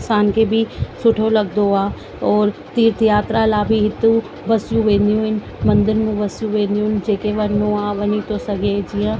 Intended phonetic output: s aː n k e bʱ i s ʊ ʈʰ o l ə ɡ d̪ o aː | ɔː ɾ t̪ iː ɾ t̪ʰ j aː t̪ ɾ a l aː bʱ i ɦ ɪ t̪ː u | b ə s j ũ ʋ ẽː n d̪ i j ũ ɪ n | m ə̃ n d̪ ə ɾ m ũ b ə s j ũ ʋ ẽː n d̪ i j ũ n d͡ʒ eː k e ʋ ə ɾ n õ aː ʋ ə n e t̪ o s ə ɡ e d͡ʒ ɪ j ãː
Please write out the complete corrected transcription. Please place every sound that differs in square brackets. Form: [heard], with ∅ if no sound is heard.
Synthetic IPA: s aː n k e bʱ i s ʊ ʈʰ o l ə ɡ d̪ o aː | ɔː ɾ t̪ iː ɾ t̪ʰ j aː t̪ ɾ a l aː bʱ i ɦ ɪ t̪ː u | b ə s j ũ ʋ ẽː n d̪ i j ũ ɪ n | m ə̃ n d̪ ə ɾ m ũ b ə s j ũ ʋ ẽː n d̪ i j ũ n d͡ʒ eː k e ʋ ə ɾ n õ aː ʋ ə n [i] t̪ o s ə ɡ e d͡ʒ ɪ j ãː